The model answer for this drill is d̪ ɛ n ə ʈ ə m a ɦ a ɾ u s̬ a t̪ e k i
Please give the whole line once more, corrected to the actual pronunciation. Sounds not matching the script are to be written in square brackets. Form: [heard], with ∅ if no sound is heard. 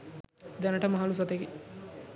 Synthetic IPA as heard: d̪ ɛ n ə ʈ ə m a ɦ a [l] u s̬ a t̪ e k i